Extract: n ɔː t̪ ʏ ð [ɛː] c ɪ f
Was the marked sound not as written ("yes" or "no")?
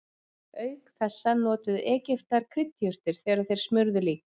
no